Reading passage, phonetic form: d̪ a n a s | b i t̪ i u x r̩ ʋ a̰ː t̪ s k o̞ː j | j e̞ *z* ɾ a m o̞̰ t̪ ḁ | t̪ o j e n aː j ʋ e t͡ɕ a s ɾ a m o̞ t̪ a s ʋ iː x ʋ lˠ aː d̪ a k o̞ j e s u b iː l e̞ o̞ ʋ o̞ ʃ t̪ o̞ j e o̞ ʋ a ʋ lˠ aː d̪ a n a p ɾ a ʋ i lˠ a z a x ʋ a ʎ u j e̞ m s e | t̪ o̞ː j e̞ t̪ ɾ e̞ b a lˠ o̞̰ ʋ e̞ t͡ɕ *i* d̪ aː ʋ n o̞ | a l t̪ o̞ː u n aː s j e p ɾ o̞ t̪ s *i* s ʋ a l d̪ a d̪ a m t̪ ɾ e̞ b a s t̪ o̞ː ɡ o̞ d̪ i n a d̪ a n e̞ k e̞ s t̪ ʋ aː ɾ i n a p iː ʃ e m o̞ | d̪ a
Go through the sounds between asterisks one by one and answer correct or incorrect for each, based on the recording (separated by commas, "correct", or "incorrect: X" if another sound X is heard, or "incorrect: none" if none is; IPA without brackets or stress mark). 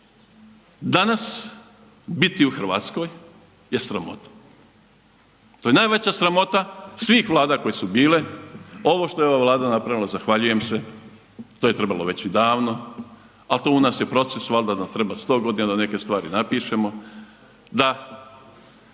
incorrect: s, correct, incorrect: e